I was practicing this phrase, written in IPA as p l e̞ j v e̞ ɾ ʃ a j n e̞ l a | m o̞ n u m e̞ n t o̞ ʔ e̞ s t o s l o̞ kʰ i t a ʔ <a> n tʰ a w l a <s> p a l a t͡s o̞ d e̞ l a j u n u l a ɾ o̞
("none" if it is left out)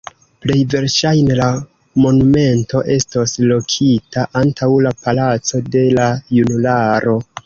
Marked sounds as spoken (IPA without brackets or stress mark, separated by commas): a, none